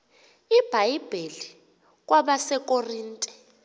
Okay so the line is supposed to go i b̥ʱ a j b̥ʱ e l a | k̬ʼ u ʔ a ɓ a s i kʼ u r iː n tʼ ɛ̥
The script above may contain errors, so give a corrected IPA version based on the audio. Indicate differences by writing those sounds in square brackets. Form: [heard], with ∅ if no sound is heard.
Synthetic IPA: i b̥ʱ a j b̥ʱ e l [i] | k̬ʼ [w] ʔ a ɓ a s [ɛ] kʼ [o] r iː n tʼ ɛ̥